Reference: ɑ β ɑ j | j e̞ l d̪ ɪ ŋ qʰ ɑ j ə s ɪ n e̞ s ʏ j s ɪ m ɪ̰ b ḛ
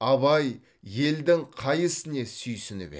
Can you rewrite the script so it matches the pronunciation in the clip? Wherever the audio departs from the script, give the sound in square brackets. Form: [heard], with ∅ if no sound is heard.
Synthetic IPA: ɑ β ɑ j | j e̞ l d̪ ɪ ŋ qʰ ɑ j ə s ɪ n e̞ s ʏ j s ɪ [n] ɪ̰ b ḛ